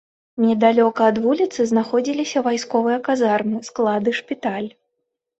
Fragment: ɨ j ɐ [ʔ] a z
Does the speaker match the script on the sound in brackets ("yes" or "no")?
no